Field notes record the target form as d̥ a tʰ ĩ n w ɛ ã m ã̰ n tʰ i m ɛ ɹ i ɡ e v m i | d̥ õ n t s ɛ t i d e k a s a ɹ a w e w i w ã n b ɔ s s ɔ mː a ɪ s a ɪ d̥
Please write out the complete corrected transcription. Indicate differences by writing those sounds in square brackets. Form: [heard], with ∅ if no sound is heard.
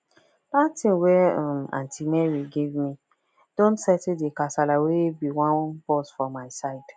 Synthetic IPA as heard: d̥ a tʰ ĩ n w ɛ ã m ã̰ n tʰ i m ɛ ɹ i ɡ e v m i | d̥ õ n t s ɛ t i d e k a s a [l] a w e [b] i w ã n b ɔ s [f] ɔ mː a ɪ s a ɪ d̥